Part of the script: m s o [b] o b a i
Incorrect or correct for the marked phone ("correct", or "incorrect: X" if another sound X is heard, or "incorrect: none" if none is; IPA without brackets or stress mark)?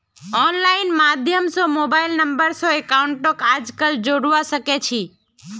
incorrect: m